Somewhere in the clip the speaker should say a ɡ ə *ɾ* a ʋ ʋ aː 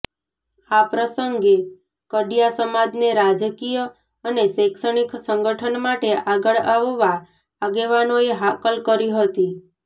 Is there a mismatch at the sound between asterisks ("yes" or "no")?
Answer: yes